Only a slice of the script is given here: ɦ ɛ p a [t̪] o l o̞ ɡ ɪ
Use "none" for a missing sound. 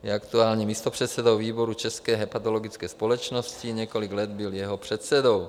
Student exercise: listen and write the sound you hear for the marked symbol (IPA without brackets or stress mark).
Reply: t̪